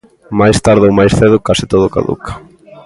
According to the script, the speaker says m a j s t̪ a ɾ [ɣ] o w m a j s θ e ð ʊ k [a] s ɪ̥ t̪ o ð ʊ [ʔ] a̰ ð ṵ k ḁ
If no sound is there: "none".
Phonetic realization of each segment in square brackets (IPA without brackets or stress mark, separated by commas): ð, a, k